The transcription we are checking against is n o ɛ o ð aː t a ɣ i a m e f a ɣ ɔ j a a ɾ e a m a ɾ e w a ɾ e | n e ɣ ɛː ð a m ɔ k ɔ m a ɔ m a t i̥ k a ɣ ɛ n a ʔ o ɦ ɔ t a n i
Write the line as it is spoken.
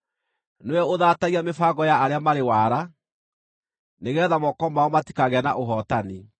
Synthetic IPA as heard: n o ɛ o ð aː t a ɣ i a m e f a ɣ ɔ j a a ɾ e a m a ɾ e w a ɾ a | n e ɣ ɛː ð a m ɔ k ɔ m a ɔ m a t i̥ k a ɣ ɛ n a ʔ o ɦ ɔ t a n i